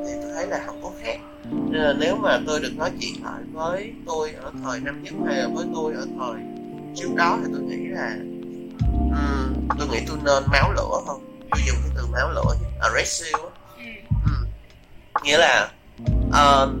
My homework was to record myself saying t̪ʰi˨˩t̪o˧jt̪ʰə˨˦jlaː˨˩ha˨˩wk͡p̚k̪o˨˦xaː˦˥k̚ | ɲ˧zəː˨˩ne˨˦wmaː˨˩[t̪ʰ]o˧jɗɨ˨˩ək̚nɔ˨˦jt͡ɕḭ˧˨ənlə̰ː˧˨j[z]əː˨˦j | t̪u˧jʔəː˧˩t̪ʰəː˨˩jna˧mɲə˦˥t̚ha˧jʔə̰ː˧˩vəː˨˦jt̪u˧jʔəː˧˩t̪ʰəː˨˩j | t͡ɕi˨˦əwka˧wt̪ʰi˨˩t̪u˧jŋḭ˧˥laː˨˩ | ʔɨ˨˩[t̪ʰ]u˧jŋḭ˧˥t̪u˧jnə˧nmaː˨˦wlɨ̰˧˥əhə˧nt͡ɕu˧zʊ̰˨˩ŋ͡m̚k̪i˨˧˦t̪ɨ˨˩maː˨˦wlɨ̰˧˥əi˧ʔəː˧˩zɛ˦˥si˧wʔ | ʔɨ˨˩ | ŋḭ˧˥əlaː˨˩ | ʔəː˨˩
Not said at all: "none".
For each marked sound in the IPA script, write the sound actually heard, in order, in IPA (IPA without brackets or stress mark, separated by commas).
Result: t̪, v, t̪